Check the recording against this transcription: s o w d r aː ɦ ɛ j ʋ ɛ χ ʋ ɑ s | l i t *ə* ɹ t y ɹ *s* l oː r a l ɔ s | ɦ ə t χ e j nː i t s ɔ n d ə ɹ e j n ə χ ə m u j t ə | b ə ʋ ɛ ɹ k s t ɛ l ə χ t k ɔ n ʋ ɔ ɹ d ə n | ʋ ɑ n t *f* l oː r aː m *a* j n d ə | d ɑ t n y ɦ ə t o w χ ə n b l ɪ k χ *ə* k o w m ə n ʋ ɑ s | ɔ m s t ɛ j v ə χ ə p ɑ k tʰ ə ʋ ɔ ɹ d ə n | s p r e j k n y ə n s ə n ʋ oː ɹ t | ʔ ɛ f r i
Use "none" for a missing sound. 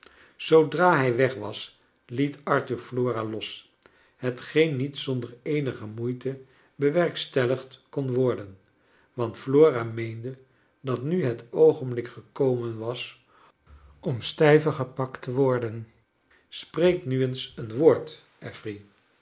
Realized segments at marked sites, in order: ɑ, f, f, e, ə

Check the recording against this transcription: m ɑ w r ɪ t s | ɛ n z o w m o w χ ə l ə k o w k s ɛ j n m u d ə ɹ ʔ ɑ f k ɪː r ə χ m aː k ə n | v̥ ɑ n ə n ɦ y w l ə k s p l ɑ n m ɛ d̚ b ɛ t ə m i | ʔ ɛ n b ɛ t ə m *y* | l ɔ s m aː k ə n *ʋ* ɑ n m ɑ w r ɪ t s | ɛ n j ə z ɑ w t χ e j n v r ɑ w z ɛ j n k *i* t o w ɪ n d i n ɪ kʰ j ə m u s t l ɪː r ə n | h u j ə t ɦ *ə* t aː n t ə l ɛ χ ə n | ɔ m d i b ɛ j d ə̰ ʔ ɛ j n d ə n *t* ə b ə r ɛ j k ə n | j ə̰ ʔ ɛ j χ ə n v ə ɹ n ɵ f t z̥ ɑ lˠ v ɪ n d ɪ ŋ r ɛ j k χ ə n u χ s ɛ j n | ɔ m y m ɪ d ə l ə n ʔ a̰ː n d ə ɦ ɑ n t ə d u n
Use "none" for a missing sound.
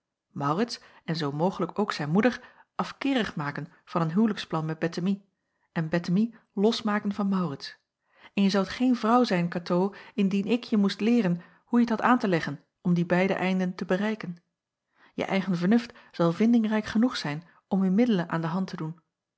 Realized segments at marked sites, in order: i, v, a, ɑ, t

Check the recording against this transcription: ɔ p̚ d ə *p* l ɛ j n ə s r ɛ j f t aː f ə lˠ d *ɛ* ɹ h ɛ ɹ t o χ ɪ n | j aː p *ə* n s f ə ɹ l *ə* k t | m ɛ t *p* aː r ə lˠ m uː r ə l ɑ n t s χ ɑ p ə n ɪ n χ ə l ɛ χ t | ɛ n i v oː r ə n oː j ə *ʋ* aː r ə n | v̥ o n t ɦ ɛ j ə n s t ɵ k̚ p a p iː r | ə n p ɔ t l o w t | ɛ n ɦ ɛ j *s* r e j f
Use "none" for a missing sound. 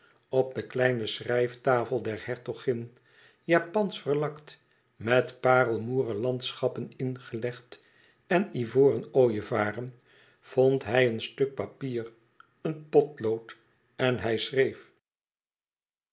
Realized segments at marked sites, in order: k, ɛ, ɑ, ɑ, p, v, s

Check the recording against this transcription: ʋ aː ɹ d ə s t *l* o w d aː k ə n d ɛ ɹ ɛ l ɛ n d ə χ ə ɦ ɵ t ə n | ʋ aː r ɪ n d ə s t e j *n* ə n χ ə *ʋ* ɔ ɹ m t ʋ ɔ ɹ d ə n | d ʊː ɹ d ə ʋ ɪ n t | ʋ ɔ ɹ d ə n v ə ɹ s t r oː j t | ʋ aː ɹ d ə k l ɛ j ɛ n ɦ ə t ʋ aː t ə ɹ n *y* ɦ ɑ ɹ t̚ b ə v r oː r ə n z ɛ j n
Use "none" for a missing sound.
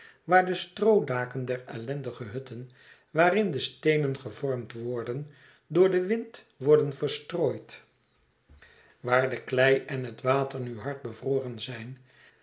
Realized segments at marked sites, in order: r, n, v, y

